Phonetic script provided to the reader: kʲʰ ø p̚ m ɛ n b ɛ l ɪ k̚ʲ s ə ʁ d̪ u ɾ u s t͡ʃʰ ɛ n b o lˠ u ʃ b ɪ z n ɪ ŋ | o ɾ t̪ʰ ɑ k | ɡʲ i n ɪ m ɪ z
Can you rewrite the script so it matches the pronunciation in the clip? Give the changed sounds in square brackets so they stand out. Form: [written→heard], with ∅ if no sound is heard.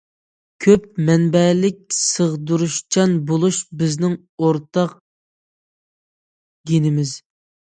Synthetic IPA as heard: kʲʰ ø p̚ m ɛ n b ɛ l ɪ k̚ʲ s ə ʁ d̪ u ɾ u [s→ʃ] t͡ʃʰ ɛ n b o lˠ u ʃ b ɪ z n ɪ ŋ | o ɾ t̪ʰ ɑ [k→q] | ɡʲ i n ɪ m ɪ z

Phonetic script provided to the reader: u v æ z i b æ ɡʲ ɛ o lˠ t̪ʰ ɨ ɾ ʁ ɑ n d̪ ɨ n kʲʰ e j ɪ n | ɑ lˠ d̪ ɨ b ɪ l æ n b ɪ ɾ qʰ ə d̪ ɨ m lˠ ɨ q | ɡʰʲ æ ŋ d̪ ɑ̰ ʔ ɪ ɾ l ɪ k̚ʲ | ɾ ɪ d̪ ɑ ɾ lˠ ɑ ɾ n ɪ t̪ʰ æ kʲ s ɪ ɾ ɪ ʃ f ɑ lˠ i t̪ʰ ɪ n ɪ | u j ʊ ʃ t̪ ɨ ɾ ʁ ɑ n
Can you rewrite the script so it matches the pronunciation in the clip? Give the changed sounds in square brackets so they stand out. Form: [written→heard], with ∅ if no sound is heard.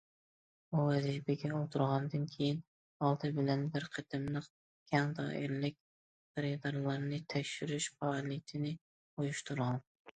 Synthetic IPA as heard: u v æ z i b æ ɡʲ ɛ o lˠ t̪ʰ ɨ ɾ ʁ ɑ n d̪ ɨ n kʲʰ e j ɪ n | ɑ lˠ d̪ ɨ b ɪ l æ n b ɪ ɾ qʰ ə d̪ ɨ m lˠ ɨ q | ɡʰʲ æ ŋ d̪ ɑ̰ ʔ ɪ ɾ l ɪ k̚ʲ | ɾ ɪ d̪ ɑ ɾ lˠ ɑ ɾ n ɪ t̪ʰ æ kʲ [s→ʃ] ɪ ɾ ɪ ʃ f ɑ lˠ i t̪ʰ ɪ n ɪ | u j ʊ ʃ t̪ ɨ ɾ ʁ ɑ n

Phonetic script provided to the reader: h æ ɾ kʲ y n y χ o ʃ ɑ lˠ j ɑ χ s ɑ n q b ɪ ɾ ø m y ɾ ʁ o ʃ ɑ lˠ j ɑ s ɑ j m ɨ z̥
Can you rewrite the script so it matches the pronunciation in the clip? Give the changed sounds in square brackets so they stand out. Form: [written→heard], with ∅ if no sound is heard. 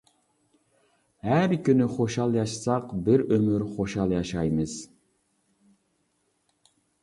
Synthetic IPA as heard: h æ ɾ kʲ y n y χ o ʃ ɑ lˠ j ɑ [χ→ʃ] s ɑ [n→∅] q b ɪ ɾ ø m y ɾ [ʁ→χ] o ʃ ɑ lˠ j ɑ [s→ʃ] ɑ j m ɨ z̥

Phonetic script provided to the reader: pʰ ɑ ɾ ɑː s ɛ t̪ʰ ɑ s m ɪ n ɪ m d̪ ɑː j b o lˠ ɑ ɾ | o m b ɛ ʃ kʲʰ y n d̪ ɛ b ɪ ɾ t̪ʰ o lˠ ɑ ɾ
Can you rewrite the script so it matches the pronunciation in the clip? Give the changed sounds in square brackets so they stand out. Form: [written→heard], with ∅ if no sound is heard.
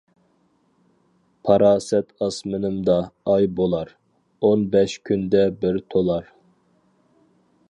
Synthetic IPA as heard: pʰ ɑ ɾ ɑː s ɛ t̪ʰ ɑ s m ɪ n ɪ m d̪ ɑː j b o lˠ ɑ ɾ | o [m→n] b ɛ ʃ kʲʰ y n d̪ ɛ b ɪ ɾ t̪ʰ o lˠ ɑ ɾ

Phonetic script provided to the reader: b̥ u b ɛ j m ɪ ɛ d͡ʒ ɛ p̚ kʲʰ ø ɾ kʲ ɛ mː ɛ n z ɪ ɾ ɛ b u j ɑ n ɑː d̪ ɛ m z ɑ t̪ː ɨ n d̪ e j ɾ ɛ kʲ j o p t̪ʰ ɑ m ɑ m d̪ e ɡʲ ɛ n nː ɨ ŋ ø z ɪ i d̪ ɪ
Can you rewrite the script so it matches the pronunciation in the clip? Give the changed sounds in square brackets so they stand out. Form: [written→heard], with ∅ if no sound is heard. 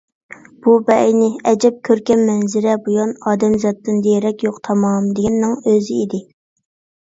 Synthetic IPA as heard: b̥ u b ɛ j [m→n] ɪ ɛ d͡ʒ ɛ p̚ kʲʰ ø ɾ kʲ ɛ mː ɛ n z ɪ ɾ ɛ b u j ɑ n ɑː d̪ ɛ m z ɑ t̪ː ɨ n d̪ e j ɾ ɛ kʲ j o [p→q] t̪ʰ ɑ m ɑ m d̪ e ɡʲ ɛ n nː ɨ ŋ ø z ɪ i d̪ ɪ

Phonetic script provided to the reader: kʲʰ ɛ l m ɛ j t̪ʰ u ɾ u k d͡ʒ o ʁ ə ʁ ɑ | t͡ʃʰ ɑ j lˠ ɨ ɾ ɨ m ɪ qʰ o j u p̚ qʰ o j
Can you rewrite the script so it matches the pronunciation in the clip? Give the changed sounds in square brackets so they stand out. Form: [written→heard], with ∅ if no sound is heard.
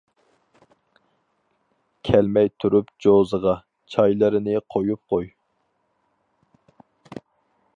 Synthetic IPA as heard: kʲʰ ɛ l m ɛ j t̪ʰ u ɾ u [k→p] d͡ʒ o [ʁ→z] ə ʁ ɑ | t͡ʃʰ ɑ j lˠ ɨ ɾ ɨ [m→n] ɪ qʰ o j u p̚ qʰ o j

